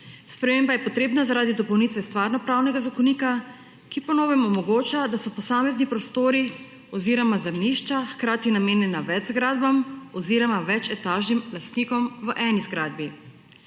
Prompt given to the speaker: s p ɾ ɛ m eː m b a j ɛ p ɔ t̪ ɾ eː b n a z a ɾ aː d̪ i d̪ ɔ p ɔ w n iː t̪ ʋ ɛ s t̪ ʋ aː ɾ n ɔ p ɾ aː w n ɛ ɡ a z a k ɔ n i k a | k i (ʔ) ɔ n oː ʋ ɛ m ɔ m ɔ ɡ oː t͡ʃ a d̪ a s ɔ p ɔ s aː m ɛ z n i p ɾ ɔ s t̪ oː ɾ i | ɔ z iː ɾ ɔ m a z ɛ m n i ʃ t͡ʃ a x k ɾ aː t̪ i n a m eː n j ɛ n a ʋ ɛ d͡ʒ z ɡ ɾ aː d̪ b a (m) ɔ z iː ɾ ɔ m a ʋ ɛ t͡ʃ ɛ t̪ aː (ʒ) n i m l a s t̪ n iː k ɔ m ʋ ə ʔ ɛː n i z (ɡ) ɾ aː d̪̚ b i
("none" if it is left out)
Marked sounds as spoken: p, m, ʒ, ɡ

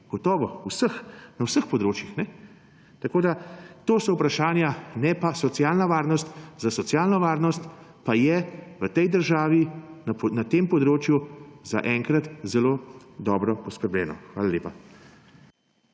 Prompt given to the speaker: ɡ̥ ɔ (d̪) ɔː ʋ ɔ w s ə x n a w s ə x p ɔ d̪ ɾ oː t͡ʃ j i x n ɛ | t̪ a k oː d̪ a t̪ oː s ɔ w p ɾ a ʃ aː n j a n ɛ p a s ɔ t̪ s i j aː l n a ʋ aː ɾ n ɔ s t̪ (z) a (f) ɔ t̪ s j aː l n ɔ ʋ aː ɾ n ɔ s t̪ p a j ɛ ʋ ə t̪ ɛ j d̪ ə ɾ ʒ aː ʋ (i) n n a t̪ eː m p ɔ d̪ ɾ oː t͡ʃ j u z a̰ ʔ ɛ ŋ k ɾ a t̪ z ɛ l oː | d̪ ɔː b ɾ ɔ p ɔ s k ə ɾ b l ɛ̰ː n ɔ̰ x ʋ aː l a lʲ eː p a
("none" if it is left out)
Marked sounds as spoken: t̪, z, s, i

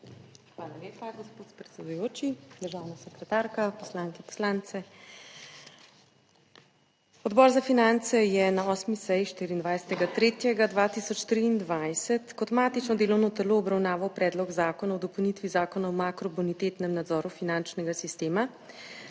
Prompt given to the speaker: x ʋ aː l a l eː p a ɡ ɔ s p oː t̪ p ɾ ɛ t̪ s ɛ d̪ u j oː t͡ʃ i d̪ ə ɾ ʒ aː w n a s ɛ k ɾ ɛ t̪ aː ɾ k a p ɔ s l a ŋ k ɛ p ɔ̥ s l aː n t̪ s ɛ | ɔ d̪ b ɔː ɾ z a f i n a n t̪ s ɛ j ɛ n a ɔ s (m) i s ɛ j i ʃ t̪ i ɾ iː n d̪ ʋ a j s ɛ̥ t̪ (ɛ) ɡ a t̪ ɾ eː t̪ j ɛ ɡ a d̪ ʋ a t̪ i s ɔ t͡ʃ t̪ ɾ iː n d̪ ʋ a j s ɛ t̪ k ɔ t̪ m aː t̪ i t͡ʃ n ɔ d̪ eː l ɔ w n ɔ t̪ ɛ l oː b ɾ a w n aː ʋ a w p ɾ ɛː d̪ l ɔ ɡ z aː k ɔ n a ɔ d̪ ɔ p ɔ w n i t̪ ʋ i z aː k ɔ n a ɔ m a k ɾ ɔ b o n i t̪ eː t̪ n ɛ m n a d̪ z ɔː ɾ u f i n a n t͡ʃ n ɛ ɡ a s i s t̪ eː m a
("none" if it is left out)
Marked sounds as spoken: m, ɛ

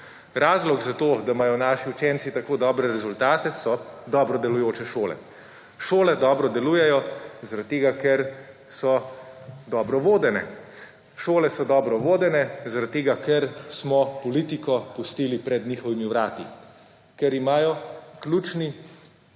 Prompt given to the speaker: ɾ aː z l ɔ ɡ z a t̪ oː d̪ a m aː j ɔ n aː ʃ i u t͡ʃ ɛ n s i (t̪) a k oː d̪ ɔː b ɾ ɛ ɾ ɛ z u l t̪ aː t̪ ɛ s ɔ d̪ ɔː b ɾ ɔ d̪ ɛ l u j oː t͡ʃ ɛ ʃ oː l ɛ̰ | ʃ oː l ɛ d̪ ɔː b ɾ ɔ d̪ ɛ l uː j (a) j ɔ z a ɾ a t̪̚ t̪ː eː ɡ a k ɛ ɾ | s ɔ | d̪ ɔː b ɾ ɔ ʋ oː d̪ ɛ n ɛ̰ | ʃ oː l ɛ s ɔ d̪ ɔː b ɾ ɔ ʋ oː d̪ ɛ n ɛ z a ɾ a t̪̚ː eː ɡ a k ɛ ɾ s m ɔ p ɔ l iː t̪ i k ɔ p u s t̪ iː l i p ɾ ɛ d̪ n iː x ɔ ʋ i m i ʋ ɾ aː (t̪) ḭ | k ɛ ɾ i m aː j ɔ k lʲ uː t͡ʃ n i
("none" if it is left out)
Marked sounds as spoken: t̪, ɛ, t̪

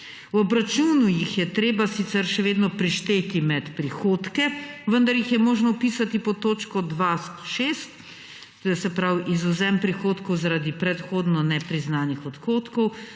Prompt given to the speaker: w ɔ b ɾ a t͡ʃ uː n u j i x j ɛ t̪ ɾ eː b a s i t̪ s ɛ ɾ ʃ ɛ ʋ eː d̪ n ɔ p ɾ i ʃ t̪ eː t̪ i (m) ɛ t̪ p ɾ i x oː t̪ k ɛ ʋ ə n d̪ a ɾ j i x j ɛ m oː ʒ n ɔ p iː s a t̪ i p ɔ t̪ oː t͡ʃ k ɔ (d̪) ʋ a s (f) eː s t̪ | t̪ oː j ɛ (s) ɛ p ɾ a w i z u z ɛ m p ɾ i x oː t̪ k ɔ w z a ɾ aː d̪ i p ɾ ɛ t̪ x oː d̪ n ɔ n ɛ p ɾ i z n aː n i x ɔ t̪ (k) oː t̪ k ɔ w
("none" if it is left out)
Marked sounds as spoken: m, d̪, ʃ, s, x

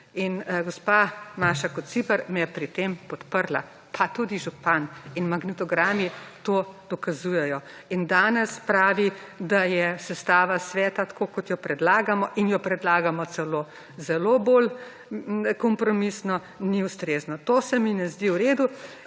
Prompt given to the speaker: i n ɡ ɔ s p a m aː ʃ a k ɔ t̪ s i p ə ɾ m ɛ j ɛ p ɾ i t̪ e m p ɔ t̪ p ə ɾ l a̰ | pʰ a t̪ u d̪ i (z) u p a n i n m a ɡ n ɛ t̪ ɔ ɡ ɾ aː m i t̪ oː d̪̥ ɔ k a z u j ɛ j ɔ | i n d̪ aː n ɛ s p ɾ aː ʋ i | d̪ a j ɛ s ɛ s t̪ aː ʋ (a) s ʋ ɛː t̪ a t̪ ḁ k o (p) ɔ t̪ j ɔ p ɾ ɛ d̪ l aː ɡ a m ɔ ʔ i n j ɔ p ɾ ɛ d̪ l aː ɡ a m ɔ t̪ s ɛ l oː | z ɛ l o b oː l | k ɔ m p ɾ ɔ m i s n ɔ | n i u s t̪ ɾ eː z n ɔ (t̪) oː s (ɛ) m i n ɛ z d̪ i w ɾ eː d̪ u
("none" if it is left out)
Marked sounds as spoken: ʒ, a, k, t̪, ɛ

